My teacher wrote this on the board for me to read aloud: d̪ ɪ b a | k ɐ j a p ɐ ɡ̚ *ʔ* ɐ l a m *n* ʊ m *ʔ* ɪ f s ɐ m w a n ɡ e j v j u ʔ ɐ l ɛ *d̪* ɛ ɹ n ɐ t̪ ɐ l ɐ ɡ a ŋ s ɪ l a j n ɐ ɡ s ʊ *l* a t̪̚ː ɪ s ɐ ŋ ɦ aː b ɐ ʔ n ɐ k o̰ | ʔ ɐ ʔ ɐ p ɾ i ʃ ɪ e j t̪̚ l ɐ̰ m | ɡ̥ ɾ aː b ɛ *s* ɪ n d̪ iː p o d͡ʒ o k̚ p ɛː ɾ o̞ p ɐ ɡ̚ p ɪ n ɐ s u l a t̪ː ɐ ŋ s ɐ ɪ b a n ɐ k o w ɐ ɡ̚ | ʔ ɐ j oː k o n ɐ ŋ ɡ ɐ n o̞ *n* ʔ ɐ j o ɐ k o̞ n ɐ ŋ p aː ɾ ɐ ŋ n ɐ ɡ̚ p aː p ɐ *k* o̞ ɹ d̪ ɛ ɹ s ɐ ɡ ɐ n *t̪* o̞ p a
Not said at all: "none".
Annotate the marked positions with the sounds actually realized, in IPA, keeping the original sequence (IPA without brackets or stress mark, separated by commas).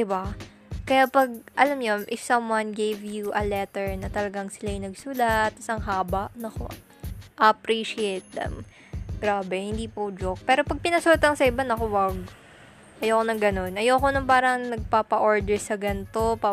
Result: ʔ, ɲ, ʔ, t̪, l, h, n, ʔ, t̪